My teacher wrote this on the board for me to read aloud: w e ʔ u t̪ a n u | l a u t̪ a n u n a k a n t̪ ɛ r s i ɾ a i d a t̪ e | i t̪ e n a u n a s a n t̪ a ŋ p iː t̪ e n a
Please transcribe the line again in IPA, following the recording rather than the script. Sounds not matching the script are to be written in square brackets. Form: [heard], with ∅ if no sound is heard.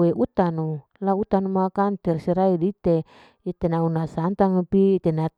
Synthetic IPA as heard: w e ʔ u t̪ a n u | l a u t̪ a n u [m] a k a n t̪ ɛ r s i ɾ a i d [i] t̪ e | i t̪ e n a u n a s a n t̪ a ŋ p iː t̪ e n a